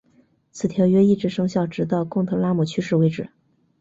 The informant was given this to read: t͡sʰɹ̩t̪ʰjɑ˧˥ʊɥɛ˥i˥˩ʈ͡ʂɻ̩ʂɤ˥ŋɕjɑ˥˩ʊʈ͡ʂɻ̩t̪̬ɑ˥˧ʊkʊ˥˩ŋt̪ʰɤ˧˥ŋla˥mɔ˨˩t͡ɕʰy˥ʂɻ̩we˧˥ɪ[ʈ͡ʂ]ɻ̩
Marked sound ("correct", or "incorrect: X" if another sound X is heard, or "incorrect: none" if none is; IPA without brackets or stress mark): correct